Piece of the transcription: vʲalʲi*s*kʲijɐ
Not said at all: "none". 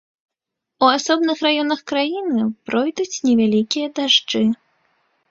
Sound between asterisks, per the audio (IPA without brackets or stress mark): none